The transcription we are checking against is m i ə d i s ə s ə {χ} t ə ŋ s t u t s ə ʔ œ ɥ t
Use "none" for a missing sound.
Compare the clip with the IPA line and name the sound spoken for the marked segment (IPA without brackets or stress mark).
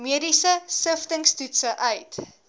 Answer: f